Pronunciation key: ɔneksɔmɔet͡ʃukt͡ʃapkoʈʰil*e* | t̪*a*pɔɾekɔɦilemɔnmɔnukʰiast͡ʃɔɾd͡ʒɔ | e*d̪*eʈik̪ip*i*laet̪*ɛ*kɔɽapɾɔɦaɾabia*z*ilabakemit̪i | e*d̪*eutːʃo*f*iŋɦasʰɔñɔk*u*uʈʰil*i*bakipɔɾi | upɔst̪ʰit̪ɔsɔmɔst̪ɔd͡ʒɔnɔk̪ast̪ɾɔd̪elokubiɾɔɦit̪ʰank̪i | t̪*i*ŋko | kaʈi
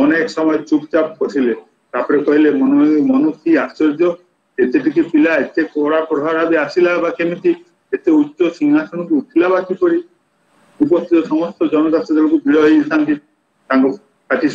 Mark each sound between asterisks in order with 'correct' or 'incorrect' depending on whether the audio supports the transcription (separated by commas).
correct, correct, incorrect, correct, incorrect, incorrect, incorrect, incorrect, correct, incorrect, incorrect